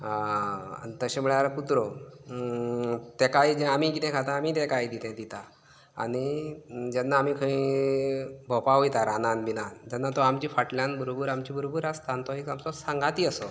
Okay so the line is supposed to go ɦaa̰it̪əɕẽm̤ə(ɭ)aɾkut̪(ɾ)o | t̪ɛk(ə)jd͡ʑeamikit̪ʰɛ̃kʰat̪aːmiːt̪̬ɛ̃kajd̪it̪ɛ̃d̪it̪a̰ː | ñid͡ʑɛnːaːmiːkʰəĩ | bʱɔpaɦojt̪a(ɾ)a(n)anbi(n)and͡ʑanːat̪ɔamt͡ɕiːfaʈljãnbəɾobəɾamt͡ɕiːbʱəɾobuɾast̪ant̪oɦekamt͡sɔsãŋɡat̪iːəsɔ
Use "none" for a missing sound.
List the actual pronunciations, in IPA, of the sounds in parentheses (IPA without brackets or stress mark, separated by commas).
ɭ, ɾ, a, ɾ, n, n